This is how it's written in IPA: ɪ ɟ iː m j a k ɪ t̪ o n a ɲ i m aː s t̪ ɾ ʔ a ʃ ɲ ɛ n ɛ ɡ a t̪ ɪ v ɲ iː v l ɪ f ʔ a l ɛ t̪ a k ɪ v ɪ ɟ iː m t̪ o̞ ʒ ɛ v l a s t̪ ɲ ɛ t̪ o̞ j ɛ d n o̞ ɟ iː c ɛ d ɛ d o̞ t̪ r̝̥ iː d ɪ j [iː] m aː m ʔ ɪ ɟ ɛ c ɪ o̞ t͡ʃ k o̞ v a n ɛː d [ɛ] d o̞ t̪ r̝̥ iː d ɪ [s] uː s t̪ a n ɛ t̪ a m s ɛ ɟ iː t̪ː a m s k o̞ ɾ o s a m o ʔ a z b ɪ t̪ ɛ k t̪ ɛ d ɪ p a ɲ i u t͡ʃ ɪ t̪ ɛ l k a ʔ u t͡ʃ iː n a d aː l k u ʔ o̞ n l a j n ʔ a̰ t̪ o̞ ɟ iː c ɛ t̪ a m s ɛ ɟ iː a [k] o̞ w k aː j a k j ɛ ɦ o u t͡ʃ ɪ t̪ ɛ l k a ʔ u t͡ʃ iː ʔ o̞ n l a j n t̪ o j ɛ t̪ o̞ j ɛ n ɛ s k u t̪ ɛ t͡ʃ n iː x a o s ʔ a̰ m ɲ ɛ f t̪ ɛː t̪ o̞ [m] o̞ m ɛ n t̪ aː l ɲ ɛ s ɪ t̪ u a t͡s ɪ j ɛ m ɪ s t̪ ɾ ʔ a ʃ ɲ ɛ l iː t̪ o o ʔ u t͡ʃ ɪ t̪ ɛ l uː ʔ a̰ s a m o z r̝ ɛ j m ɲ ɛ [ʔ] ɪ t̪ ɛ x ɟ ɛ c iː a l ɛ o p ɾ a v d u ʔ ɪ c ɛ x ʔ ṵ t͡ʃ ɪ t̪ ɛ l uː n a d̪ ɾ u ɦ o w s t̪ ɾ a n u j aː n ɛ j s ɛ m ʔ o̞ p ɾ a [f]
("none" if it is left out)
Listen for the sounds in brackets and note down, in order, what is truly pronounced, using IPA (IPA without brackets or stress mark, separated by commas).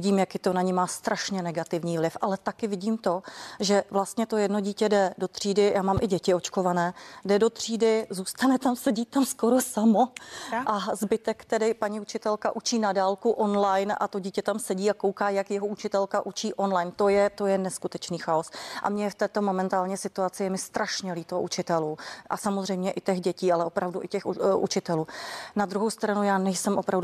aː, ɛ, z, k, m, ʔ, v